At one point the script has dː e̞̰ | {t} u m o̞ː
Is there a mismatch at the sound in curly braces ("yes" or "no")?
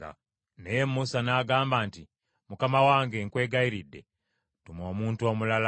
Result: no